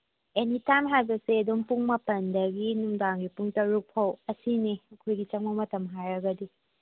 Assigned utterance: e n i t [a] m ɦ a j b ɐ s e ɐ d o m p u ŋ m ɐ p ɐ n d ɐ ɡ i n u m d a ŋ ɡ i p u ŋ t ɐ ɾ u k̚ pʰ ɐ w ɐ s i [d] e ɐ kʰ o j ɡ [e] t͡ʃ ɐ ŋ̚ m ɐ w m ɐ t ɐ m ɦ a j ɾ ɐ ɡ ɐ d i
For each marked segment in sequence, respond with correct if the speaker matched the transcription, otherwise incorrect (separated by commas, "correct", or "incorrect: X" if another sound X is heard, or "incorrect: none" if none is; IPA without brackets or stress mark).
correct, incorrect: n, incorrect: i